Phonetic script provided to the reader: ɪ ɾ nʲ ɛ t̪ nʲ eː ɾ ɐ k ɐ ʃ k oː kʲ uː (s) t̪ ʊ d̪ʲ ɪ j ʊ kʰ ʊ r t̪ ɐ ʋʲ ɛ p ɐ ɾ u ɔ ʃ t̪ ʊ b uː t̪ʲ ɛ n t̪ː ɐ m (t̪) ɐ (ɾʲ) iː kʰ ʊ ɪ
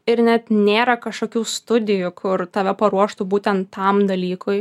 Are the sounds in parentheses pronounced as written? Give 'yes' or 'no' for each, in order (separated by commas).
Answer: yes, no, no